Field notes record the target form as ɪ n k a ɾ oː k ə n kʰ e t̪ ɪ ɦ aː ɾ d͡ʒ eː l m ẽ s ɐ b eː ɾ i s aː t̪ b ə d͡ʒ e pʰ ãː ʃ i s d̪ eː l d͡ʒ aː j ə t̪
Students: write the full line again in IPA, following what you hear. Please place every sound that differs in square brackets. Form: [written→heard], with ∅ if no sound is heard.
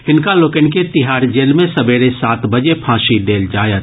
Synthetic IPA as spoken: ɪ n k a [ɾ→l] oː k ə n [kʰ→k] e t̪ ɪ ɦ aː ɾ d͡ʒ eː l m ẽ s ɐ b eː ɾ [i→e] s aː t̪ b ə d͡ʒ e pʰ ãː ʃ i [s→∅] d̪ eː l d͡ʒ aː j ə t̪